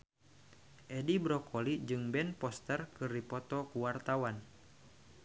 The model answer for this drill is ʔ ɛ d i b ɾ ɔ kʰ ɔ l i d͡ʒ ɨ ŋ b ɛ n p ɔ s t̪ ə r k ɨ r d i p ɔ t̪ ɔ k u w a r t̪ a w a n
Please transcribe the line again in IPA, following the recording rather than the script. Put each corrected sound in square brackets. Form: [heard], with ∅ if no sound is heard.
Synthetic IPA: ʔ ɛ d i b ɾ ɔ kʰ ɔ l i d͡ʒ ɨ ŋ b ɛ n p ɔ s t̪ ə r k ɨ r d i p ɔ t̪ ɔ k u w a r t̪ a w a n